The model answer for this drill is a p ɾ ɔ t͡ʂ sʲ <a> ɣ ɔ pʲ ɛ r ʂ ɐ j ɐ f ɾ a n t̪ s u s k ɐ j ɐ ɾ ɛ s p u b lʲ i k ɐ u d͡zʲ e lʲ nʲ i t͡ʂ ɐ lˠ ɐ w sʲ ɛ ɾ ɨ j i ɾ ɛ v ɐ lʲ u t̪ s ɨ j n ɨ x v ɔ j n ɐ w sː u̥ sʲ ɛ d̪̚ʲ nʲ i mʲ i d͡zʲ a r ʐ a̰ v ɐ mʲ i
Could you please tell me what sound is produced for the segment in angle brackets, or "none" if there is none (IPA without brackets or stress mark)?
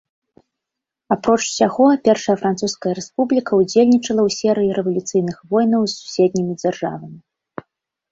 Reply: a